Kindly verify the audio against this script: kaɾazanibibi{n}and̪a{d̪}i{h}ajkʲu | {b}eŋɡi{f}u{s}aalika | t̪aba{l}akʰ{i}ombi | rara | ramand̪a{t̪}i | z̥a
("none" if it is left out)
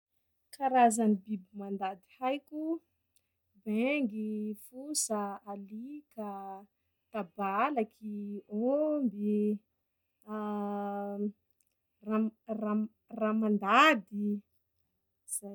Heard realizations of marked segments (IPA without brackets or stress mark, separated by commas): m, d̪, h, b, f, s, l, i, d̪